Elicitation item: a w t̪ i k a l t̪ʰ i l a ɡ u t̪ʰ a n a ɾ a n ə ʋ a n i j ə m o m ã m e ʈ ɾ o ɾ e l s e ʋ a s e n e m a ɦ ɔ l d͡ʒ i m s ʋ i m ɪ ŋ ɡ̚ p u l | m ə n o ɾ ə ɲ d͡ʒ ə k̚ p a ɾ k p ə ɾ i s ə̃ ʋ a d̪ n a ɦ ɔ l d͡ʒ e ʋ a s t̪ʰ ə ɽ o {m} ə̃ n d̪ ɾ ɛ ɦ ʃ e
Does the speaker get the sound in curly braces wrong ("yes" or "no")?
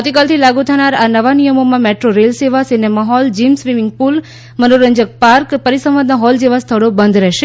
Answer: yes